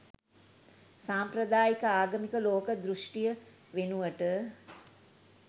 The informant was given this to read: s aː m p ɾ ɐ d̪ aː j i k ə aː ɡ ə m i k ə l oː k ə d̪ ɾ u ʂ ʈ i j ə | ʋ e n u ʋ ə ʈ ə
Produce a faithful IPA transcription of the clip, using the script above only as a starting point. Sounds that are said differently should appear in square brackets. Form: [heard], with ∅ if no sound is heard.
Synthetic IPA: s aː m p ɾ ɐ d̪ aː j i k ə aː ɡ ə m i k ə l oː k ə d̪ ɾ u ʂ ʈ i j ə | ʋ e n u ʋ ə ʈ ə